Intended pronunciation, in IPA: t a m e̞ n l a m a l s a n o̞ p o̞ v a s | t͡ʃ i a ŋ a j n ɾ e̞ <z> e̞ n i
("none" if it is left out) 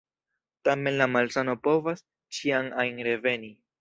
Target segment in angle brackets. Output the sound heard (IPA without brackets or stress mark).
v